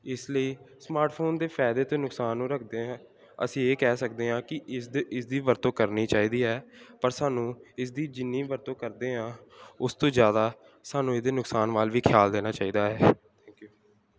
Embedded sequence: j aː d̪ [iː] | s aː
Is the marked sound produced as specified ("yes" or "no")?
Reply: no